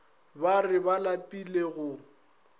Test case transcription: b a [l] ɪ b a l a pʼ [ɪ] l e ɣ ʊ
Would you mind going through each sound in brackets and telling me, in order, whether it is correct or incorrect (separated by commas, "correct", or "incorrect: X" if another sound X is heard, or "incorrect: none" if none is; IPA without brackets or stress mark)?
incorrect: r, incorrect: i